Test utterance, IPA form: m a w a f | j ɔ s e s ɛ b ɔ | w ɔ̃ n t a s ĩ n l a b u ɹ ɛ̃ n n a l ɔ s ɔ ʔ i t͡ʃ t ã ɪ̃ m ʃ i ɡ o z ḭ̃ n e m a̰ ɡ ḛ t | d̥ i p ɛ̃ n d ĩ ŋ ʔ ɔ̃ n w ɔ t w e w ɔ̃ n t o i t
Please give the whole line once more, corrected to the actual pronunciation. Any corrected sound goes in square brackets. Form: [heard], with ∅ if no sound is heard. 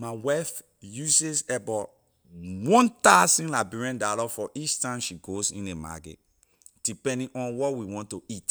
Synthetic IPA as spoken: m a w a f | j [u] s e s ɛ b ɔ | w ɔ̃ n t a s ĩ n l a b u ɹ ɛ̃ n [d] a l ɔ [f] ɔ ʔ i t͡ʃ t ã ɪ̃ m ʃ i ɡ o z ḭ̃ n e m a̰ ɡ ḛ t | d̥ i p ɛ̃ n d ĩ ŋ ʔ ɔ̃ n w ɔ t w [i] w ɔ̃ n t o i t